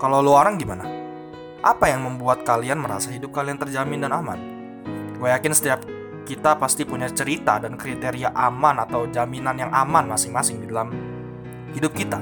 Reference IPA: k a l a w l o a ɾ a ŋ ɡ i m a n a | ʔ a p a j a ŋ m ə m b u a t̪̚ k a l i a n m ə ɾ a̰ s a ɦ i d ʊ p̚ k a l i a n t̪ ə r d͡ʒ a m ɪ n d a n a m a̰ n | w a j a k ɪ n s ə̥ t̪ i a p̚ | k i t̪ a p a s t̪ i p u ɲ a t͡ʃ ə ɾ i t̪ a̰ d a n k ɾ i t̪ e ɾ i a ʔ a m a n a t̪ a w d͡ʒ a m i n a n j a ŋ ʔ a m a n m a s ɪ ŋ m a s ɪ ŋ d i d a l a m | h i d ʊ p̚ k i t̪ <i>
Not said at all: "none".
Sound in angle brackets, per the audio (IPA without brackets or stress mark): a